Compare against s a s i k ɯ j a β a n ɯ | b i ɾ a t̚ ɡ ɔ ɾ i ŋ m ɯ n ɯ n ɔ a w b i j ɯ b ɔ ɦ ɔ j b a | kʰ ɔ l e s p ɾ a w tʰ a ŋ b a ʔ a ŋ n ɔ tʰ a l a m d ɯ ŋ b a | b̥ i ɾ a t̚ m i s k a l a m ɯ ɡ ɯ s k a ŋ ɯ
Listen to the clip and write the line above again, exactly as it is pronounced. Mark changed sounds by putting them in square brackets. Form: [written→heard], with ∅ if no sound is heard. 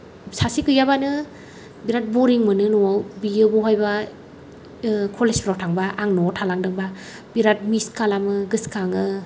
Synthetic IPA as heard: s a s i k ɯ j a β a n ɯ | b i ɾ a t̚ [ɡ→b] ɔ ɾ i ŋ m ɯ n ɯ n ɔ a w b i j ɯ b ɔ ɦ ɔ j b a | kʰ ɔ l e s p ɾ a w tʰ a ŋ b a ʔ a ŋ n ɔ tʰ a l a [m→ŋ] d ɯ ŋ b a | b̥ i ɾ a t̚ m i s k a l a m ɯ ɡ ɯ s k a ŋ ɯ